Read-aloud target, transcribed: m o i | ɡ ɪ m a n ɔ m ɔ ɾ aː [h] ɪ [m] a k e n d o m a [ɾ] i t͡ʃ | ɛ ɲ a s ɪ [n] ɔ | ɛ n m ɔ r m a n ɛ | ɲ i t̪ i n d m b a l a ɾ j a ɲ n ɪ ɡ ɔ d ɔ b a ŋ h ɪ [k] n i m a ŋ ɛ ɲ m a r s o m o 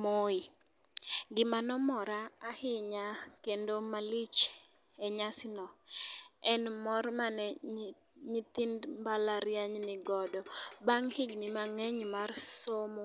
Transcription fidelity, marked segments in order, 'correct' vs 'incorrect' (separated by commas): correct, incorrect, incorrect, correct, incorrect